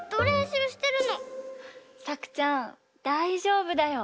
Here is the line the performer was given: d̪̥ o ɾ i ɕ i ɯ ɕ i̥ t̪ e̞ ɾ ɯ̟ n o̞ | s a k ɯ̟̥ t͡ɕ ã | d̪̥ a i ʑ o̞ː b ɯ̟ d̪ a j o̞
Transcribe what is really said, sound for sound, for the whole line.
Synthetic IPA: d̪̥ o ɾ e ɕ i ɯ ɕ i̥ t̪ e̞ ɾ ɯ̟ n o̞ | s a k ɯ̟̥ t͡ɕ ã | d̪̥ a i ʑ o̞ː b ɯ̟ d̪ a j o̞